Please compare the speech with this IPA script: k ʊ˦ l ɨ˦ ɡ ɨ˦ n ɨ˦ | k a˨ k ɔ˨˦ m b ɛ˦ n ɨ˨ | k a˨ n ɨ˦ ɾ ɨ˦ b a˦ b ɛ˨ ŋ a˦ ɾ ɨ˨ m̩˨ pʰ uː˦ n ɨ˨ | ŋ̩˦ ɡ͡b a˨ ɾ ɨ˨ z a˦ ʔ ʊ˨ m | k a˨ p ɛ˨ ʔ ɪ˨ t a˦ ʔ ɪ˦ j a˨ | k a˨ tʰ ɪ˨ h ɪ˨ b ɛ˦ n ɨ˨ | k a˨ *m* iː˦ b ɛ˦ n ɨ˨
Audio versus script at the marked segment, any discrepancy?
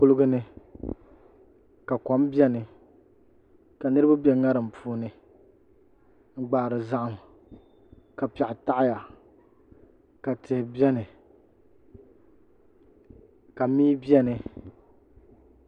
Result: no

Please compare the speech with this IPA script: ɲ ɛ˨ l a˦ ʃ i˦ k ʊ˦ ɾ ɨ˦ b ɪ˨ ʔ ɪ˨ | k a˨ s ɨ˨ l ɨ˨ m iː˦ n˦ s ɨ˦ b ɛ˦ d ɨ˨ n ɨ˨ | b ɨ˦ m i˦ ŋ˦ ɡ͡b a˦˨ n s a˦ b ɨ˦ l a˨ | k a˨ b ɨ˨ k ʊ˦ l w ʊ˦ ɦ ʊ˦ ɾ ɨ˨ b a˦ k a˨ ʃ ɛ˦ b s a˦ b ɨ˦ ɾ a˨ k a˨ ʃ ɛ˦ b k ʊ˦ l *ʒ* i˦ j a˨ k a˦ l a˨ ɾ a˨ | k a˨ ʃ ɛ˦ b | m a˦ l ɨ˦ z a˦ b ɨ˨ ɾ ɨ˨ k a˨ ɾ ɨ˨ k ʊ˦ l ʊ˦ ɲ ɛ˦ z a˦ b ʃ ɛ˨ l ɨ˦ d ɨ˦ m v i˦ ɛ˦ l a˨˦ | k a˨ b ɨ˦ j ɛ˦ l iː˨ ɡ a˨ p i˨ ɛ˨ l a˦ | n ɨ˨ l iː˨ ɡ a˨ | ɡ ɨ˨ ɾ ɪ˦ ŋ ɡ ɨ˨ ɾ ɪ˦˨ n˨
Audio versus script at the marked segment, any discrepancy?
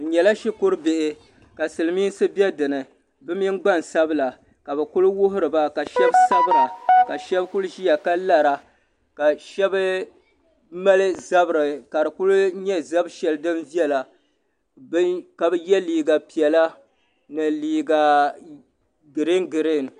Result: no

